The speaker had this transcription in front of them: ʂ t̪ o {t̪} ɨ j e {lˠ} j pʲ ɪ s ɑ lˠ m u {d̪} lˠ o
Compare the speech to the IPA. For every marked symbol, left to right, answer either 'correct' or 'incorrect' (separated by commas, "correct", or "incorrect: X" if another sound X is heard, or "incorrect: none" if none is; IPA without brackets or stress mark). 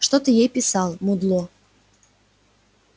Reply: correct, incorrect: none, correct